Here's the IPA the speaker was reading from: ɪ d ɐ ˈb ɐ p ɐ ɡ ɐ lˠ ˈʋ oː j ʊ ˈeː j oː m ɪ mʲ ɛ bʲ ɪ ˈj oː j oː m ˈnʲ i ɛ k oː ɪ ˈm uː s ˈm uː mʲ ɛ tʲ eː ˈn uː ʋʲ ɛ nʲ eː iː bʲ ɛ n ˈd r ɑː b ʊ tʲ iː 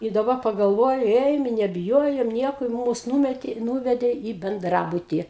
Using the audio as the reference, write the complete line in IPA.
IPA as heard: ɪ d ɐ ˈb ɐ p ɐ ɡ ɐ lˠ ˈʋ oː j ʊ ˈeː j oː m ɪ nʲ ɛ bʲ ɪ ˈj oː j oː m ˈnʲ i ɛ k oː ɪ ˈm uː s ˈn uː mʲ ɛ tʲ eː ˈn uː ʋʲ ɛ dʲ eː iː bʲ ɛ n ˈd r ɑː b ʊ tʲ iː